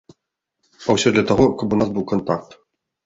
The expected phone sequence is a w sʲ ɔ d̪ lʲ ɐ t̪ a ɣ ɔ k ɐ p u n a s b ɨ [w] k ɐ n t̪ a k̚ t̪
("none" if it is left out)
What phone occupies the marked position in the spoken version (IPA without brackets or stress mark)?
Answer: w